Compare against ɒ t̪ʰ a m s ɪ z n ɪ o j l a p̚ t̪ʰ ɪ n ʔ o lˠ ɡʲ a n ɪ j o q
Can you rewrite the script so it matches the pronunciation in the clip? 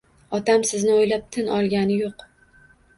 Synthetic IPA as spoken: ɒ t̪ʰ a m s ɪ z n ɪ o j l a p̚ t̪ʰ ɪ n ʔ ɒ lˠ ɡʲ a n ɪ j o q